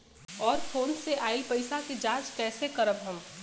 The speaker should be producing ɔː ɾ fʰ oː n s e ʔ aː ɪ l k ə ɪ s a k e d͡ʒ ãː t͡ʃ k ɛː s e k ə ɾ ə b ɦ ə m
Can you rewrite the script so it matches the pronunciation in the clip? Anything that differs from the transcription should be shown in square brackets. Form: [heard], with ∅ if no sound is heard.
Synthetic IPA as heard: ɔː ɾ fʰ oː n s e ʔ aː ɪ l [p] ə ɪ s a k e d͡ʒ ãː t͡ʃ k ɛː s e k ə ɾ ə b ɦ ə m